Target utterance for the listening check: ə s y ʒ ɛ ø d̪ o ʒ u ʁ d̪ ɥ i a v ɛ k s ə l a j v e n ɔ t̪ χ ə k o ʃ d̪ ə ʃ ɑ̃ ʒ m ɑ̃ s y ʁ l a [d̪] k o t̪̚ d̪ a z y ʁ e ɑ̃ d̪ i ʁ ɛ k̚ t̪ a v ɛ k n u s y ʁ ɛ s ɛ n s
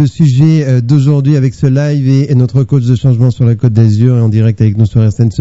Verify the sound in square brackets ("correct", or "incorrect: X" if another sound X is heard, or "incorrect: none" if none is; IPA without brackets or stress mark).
incorrect: none